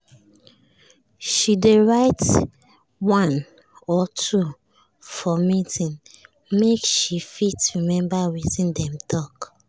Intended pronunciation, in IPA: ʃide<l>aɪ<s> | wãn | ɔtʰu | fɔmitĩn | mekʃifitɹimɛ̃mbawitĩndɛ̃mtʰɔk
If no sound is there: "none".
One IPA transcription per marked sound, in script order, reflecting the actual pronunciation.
ɹ, t

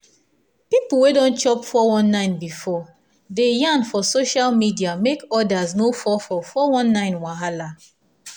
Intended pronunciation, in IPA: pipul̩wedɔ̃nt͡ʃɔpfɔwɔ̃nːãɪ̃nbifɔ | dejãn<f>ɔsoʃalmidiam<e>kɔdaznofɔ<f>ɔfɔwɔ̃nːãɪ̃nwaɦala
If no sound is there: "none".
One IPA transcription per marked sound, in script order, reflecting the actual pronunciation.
f, e, f

